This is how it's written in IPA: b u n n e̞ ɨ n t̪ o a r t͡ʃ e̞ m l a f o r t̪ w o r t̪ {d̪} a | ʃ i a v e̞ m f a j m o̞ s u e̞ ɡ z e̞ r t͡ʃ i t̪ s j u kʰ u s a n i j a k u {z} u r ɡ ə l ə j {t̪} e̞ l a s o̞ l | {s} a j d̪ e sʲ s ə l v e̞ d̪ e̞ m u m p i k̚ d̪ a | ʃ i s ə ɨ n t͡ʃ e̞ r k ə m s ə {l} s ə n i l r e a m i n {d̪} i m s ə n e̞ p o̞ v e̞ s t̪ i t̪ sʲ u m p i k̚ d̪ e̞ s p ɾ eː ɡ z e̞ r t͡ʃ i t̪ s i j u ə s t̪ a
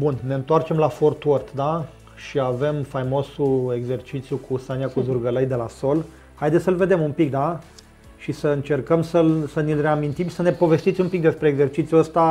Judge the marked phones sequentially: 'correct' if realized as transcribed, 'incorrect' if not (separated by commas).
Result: correct, correct, incorrect, incorrect, correct, incorrect